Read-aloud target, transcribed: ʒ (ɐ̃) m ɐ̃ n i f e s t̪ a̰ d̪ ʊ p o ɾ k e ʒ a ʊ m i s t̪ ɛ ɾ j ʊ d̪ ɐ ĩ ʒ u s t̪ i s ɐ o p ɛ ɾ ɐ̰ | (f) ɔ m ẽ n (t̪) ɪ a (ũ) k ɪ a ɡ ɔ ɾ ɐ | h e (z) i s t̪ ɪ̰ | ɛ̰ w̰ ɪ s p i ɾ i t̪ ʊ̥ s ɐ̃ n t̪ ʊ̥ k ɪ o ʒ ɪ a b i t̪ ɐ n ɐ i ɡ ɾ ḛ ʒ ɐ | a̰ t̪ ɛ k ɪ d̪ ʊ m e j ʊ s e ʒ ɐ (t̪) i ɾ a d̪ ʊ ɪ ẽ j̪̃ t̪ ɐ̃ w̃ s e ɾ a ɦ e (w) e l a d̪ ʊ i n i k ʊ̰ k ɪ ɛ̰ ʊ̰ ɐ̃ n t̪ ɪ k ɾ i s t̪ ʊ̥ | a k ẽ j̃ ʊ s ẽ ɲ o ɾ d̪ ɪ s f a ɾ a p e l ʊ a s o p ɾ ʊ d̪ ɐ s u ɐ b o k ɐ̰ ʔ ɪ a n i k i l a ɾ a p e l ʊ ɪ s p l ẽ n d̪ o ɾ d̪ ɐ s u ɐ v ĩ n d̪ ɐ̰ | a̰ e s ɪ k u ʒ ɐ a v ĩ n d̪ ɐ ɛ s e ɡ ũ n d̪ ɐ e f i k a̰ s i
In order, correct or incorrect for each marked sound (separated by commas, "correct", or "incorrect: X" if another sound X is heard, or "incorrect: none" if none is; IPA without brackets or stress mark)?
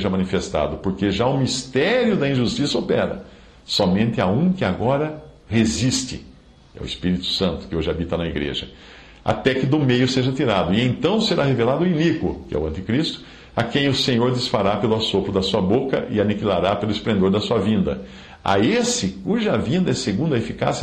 incorrect: ɐ, incorrect: s, correct, correct, correct, correct, incorrect: v